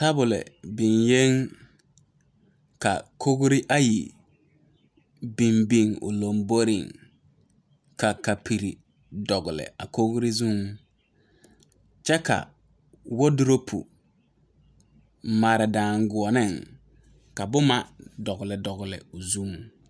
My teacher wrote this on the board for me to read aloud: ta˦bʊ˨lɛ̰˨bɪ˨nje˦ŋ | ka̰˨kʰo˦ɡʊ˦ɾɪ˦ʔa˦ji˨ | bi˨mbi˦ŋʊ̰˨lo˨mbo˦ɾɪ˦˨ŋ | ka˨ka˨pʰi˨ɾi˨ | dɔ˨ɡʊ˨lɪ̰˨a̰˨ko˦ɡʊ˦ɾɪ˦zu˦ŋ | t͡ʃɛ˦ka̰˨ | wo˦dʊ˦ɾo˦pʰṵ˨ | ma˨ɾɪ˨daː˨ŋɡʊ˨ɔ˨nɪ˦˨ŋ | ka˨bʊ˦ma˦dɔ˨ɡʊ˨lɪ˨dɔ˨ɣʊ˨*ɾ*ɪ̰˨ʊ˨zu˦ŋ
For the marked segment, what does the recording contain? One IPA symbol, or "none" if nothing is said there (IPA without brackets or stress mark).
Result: l